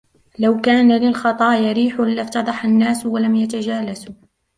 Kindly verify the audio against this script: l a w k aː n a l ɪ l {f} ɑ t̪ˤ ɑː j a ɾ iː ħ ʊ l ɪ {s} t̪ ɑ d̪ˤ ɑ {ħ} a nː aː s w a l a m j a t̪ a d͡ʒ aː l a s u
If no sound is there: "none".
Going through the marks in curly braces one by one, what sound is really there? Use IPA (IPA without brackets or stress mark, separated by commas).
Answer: x, f, ħ